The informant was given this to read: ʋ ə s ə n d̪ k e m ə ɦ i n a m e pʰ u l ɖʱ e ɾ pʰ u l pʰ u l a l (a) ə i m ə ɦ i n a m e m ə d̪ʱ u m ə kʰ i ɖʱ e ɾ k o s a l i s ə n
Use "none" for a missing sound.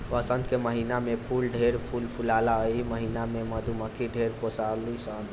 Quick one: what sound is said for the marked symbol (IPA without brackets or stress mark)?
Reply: a